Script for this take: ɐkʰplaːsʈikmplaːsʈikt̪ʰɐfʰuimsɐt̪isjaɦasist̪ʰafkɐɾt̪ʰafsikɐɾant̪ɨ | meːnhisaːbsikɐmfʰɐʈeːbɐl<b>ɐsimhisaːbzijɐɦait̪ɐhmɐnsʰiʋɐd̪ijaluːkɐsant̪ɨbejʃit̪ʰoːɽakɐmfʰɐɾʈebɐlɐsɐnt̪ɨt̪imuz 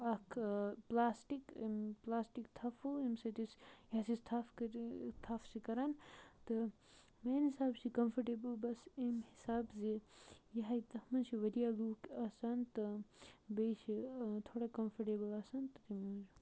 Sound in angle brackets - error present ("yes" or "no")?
no